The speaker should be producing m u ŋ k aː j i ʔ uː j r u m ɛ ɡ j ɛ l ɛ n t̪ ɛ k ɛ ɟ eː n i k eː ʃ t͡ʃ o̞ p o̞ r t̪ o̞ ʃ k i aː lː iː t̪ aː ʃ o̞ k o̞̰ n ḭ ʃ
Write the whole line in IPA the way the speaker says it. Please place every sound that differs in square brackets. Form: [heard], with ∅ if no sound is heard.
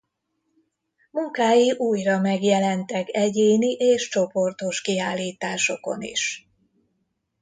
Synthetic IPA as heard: m u ŋ k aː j i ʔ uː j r [ɒ] m ɛ ɡ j ɛ l ɛ n t̪ ɛ k ɛ ɟ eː n i [ʔ] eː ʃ t͡ʃ o̞ p o̞ r t̪ o̞ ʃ k i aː lː iː t̪ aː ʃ o̞ k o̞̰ n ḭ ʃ